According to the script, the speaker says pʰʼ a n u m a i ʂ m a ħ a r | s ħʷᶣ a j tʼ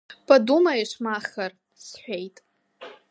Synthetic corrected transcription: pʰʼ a d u m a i ʂ m a χ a r | s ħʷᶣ e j tʼ

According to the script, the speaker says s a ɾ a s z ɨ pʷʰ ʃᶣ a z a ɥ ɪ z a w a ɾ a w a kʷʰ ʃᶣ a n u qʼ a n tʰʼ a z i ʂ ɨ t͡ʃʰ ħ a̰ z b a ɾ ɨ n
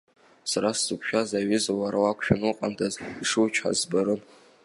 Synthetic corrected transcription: s a ɾ a s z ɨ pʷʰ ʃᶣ a z a ɥ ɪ z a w a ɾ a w a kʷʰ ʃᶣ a n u qʼ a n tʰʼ a z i ʂ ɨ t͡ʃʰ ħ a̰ z b a ɾ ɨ n

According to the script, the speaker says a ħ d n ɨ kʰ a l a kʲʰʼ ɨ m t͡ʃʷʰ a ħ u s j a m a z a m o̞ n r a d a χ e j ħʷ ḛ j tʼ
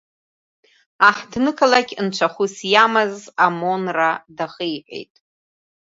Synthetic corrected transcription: a ħ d n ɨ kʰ a l a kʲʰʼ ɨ n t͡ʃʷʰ a χ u s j a m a z a m o̞ n r a d a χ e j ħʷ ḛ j tʼ

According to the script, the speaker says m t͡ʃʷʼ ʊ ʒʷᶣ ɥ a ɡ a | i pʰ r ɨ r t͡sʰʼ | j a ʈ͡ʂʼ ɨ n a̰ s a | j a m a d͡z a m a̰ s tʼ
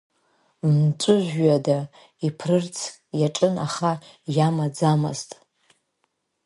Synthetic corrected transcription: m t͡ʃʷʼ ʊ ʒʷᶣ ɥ a d a | i pʰ r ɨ r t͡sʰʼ | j a ʈ͡ʂʼ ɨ n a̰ χ a | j a m a d͡z a m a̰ z tʼ

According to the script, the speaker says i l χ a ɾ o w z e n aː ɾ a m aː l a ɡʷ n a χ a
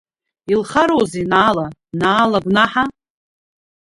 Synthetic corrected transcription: i l χ a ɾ o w z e n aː l a n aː l a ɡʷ n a ħ a

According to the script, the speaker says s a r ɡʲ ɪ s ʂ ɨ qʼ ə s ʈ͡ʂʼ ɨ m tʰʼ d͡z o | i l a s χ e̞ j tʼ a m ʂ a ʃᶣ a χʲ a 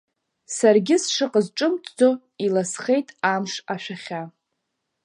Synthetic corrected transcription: s a r ɡʲ ɪ s ʂ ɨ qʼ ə z ʈ͡ʂʼ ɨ m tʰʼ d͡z o | i l a s χ e̞ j tʼ a m ʂ a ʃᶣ a χʲ a

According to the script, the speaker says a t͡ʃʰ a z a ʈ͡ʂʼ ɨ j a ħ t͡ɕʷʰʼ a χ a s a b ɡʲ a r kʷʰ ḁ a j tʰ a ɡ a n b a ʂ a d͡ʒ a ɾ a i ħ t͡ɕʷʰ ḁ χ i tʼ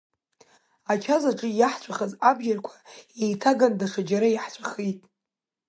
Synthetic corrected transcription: a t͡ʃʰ a z a ʈ͡ʂʼ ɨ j a ħ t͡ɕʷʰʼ a χ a z a b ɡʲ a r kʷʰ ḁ e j tʰ a ɡ a n d a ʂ a d͡ʒ a ɾ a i ħ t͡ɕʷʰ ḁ χ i tʼ

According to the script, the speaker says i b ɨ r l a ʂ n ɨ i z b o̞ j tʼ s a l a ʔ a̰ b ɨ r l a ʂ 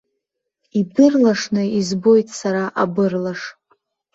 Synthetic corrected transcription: i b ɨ r l a ʂ n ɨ i z b o̞ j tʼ s a ɾ a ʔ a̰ b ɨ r l a ʂ

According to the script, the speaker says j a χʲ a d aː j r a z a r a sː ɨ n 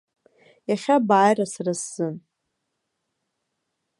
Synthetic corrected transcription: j a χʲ a b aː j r a s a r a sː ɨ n

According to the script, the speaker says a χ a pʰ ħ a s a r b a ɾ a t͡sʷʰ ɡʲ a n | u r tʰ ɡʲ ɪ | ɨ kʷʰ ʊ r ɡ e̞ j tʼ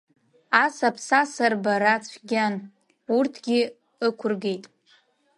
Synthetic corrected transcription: a s a pʰ s a s a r b a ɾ a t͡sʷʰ ɡʲ a n | u r tʰ ɡʲ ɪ | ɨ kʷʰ ʊ r ɡ e̞ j tʼ

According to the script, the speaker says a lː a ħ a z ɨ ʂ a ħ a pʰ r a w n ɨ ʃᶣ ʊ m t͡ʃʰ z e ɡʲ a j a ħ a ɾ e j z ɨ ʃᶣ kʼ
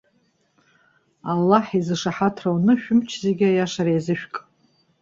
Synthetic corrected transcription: a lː a ħ i z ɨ ʂ a ħ a tʰ r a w n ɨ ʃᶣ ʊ m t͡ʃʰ z e ɡʲ a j a ʂ a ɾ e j z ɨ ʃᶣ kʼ

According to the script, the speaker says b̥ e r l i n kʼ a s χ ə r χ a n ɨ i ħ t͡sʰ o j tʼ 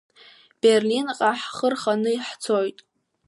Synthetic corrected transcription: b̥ e r l i n qʼ a ħ χ ə r χ a n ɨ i ħ t͡sʰ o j tʼ

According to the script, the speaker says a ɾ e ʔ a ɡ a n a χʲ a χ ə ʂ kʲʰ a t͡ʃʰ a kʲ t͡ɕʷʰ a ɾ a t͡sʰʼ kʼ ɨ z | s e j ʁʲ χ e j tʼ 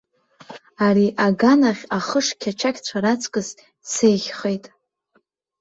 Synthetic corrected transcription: a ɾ i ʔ a ɡ a n a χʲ a χ ə ʂ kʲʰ a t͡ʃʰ a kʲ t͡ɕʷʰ a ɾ a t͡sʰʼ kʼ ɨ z | s e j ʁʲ χ e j tʼ

